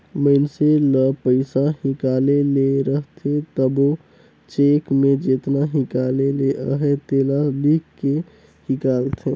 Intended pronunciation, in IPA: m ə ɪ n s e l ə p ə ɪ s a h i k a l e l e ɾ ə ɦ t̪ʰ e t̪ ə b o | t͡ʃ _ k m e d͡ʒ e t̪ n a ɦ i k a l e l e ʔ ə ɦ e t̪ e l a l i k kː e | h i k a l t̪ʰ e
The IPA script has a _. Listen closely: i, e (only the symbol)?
e